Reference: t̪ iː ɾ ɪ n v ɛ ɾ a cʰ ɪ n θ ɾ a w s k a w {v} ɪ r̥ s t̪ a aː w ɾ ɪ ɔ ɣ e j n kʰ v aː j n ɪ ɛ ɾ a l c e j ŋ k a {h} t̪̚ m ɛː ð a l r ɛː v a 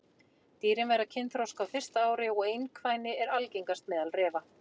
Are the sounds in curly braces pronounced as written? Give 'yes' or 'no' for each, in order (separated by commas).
no, no